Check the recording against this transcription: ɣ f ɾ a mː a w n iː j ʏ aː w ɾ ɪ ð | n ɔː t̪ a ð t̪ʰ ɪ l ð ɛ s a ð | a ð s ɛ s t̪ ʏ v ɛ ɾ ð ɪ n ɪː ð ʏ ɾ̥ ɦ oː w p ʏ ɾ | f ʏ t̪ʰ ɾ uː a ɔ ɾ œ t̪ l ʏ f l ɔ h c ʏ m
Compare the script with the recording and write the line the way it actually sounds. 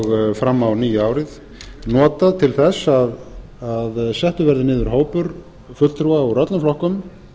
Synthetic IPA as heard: ɣ f ɾ a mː a w n iː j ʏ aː w ɾ ɪ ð | n ɔː t̪ a ð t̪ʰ ɪ l θ ɛ s a ð | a ð s ɛ h t̪ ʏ v ɛ ɾ ð ɪ n ɪː ð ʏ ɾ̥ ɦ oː w p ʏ ɾ | f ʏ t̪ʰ ɾ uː a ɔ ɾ œ t̪ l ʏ f l ɔ h k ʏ m

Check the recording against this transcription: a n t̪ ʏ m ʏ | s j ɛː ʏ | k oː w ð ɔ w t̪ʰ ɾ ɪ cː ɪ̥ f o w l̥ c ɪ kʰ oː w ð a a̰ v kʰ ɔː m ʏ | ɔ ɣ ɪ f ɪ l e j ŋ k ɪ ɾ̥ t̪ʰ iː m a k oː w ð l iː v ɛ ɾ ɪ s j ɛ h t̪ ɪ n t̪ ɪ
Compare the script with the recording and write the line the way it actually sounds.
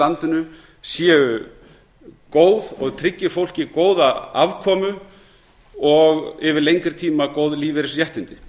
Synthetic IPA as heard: a n t̪ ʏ n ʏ | s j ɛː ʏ | k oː w ð ɔ ɣ t̪ʰ ɾ ɪ cː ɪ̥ f o w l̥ c ɪ k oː w ð a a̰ v kʰ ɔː m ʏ | ɔ ɣ ɪ v ɪ l e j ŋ k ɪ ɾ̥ t̪ʰ iː m a k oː w ð l iː v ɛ ɾ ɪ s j ɛ h t̪ ɪ n t̪ ɪ

